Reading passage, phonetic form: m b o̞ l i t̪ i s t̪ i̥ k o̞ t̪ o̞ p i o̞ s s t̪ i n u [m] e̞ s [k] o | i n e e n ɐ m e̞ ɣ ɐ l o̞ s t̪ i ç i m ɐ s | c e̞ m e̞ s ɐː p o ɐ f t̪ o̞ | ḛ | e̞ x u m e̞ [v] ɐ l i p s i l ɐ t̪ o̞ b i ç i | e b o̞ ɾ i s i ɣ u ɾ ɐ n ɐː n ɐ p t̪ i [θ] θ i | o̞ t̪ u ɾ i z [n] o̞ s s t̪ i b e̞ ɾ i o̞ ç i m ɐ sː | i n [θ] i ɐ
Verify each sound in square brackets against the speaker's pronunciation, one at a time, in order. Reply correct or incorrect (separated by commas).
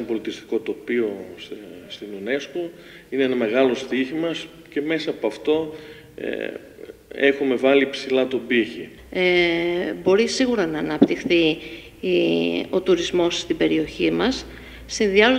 incorrect, correct, correct, incorrect, incorrect, incorrect